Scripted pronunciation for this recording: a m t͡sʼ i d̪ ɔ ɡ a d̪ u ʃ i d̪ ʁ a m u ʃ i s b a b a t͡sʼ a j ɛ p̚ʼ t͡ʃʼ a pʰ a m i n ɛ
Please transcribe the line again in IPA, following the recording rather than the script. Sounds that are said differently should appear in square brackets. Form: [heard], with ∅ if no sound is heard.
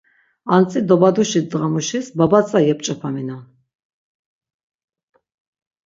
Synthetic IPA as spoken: a [n] t͡sʼ i d̪ ɔ [b] a d̪ u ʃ i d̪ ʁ a m u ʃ i s b a b a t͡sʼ a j ɛ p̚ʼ t͡ʃʼ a pʰ a m i n [a]